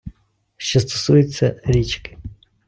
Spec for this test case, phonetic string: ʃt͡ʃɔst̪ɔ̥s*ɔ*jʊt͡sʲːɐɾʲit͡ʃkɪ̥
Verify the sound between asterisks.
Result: incorrect: u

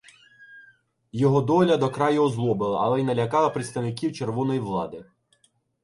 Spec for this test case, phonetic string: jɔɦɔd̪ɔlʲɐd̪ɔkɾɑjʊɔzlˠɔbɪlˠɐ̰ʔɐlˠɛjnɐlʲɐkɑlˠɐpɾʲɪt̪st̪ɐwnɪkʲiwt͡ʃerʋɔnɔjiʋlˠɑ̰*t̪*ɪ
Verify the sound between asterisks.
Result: incorrect: d̪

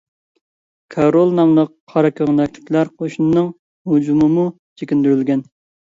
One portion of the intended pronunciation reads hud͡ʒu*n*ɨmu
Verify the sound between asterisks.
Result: incorrect: m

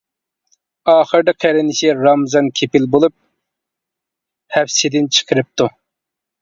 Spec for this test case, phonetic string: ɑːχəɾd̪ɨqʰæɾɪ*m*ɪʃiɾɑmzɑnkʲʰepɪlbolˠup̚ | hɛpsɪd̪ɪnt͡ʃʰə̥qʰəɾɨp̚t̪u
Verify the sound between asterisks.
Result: incorrect: n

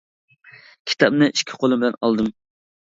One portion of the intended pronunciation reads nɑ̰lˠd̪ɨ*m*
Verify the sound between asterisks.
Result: correct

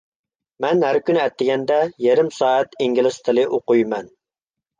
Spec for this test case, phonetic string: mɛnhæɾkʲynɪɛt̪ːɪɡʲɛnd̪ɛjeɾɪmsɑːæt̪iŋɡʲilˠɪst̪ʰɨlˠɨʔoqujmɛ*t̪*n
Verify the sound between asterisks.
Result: incorrect: none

